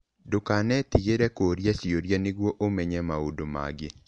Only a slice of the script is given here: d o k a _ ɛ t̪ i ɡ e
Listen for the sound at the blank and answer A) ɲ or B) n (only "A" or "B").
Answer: B